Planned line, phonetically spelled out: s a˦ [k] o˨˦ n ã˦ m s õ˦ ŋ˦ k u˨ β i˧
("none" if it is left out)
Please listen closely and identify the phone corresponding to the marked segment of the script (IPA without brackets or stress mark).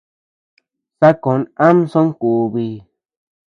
k